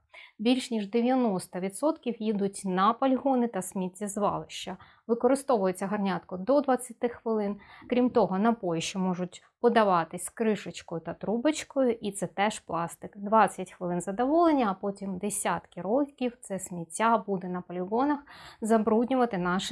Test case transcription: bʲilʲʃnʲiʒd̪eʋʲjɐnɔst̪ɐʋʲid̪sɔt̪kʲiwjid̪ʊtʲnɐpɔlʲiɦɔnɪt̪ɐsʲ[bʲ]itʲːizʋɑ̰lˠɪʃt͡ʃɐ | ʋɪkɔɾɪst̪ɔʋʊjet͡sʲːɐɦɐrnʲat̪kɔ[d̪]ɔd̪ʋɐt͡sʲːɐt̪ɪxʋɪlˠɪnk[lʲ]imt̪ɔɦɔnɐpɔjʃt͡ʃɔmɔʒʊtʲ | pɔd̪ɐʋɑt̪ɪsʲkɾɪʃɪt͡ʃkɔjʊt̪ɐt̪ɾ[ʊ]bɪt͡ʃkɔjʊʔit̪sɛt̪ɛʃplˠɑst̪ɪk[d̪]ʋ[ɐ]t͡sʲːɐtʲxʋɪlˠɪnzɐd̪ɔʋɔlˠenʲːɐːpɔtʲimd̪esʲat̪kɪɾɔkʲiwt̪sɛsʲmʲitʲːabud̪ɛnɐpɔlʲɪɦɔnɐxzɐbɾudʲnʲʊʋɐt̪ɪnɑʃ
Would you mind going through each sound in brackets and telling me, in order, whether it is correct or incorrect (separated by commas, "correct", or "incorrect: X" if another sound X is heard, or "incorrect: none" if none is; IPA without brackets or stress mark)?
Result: incorrect: mʲ, correct, incorrect: ɾʲ, incorrect: u, correct, incorrect: ɑ